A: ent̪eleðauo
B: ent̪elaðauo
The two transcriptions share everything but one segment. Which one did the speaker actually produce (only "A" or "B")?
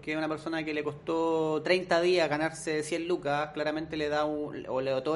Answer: A